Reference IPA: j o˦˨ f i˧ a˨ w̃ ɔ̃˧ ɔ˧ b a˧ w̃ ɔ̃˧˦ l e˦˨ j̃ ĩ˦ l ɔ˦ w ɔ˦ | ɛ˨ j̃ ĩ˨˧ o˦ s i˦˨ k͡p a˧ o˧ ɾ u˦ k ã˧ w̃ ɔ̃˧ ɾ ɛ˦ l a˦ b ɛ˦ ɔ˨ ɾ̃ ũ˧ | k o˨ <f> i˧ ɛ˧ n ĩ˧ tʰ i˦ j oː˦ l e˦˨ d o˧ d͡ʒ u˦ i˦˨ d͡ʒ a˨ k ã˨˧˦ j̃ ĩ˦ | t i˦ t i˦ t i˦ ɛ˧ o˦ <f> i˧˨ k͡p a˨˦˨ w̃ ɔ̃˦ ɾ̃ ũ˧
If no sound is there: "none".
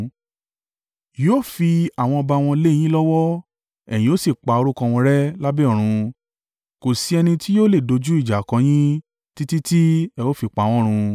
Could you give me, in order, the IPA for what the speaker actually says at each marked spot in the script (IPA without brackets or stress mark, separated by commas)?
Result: s, f